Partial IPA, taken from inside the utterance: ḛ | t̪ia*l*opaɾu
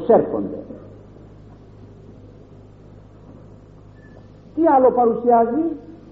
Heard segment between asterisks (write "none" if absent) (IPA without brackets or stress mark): l